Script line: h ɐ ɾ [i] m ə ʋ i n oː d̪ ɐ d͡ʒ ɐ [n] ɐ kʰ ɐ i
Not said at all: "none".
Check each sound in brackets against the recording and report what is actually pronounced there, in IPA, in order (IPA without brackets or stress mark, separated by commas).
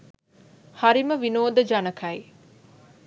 i, n